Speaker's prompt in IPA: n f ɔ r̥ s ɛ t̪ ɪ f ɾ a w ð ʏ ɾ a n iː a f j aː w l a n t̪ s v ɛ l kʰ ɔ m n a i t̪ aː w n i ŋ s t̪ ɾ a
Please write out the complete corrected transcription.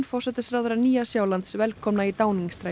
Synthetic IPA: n f ɔ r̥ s ɛ t̪ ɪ s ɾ a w ð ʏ ɾ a n iː a s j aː w l a n t̪ s v ɛ l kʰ ɔ m n a i t̪ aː w n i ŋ s t̪ ɾ a